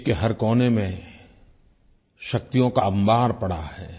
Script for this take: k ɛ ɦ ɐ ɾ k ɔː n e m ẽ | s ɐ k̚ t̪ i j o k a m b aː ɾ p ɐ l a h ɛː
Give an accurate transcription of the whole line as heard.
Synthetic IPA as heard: k e ɦ ɐ ɾ k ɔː n e m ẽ | ʃ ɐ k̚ t̪ i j õ k a m b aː ɾ p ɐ ɽ a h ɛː